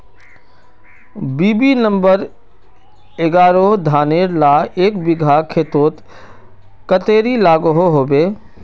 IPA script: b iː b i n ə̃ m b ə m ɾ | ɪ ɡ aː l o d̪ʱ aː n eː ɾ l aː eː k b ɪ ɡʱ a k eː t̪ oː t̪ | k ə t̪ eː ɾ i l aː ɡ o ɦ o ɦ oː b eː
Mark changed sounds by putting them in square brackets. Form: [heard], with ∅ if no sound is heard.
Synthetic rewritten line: b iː b i n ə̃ m b ə [∅] ɾ | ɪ ɡ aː [ɾ] o d̪ʱ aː n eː ɾ l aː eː k b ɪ ɡʱ a [kʰ] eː t̪ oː t̪ | k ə t̪ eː ɾ i l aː ɡ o ɦ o ɦ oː b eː